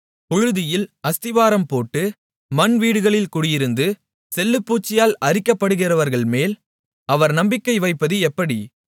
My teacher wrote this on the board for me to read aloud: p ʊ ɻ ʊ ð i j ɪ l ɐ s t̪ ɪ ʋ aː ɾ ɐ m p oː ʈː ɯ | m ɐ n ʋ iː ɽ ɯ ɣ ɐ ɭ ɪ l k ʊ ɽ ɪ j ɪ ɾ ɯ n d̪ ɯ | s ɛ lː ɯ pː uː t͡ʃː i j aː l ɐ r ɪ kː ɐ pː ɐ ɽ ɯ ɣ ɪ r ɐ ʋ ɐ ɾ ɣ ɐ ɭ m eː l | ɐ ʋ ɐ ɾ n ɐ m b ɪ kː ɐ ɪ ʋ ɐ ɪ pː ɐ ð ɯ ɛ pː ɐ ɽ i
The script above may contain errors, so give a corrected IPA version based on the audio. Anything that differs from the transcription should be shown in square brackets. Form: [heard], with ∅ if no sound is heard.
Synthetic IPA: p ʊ ɻ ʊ ð [ɪ] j ɪ l ɐ s t̪ ɪ ʋ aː ɾ ɐ m p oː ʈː ɯ | m ɐ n ʋ iː ɽ ɯ ɣ ɐ ɭ ɪ l k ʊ ɽ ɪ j ɪ ɾ ɯ n d̪ ɯ | s ɛ lː ɯ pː uː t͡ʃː [ɪ] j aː l ɐ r ɪ kː ɐ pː ɐ ɽ ɯ ɣ ɪ r ɐ ʋ ɐ ɾ ɣ ɐ ɭ m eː l | ɐ ʋ ɐ ɾ n ɐ m b ɪ kː ɐ ɪ ʋ ɐ ɪ pː ɐ ð ɯ ɛ pː ɐ ɽ i